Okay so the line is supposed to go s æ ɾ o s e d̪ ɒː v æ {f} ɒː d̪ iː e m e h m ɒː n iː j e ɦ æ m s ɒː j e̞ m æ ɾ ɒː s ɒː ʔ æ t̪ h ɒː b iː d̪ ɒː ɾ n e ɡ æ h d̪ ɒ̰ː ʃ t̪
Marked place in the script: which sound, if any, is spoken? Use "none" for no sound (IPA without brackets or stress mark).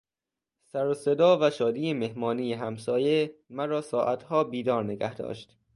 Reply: ʃ